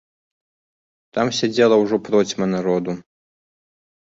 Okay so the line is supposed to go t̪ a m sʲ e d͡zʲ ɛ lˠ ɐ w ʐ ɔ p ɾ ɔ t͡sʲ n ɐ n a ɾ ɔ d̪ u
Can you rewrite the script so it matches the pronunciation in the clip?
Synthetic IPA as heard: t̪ a m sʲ a d͡zʲ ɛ lˠ ɐ w ʐ ɔ p ɾ ɔ t͡sʲ m ɐ n a ɾ ɔ d̪ u